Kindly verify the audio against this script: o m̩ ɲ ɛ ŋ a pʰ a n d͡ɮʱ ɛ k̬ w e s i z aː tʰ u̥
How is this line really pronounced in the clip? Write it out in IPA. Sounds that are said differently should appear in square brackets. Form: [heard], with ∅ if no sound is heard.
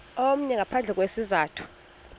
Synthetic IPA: o m̩ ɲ ɛ ŋ a pʰ a n d͡ɮʱ ɛ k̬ w e s i z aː tʰ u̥